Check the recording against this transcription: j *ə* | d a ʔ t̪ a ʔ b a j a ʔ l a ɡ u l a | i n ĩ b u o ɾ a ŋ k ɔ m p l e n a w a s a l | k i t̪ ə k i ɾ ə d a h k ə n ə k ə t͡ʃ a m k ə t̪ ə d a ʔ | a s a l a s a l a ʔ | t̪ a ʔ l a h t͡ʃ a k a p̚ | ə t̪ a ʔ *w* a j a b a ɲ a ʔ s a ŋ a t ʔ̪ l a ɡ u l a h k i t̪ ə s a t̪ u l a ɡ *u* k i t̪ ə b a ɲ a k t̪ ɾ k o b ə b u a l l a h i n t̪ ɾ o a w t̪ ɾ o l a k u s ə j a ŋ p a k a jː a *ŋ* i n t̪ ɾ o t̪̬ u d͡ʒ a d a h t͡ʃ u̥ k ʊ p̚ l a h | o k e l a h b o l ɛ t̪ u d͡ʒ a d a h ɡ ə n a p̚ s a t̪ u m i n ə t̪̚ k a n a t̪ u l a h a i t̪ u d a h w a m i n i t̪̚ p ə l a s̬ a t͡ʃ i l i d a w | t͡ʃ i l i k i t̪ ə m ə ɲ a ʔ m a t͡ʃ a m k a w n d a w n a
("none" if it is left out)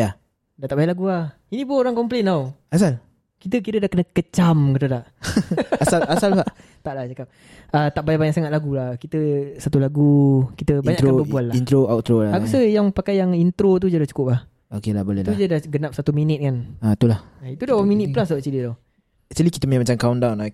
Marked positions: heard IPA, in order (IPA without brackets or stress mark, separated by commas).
a, b, u, ŋ